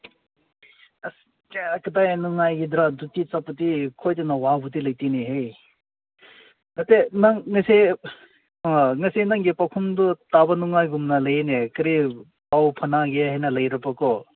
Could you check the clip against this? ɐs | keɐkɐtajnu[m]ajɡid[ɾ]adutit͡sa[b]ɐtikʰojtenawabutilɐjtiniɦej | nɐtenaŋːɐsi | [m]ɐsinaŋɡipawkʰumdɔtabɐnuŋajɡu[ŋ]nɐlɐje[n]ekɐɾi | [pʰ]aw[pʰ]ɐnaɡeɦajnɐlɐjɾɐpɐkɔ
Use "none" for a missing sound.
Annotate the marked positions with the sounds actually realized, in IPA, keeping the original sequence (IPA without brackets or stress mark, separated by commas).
ŋ, ɾ, p, ŋ, m, n, p, pʰ